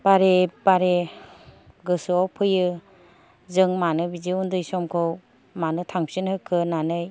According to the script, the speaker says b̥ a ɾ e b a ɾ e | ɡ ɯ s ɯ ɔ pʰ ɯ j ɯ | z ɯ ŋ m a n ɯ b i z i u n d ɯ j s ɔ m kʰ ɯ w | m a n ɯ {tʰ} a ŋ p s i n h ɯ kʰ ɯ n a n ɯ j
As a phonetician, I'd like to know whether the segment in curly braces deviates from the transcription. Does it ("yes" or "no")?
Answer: no